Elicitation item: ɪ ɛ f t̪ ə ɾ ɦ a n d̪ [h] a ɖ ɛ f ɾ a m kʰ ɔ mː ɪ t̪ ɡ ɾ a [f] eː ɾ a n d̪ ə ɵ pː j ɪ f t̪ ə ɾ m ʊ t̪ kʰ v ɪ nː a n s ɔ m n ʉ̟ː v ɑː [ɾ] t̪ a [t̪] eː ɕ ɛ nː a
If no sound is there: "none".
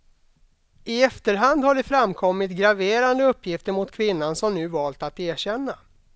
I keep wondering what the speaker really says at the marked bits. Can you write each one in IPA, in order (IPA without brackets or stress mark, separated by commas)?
h, v, l, t̪